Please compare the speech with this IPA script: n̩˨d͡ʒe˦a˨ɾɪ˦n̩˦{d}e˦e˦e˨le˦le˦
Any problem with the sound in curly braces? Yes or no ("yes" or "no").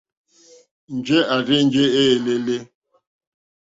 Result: yes